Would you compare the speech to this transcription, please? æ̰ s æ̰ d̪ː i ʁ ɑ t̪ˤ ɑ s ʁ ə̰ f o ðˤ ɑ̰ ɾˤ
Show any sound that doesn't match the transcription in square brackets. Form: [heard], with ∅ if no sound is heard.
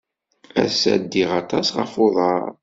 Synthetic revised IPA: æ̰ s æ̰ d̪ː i ʁ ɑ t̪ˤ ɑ s ʁ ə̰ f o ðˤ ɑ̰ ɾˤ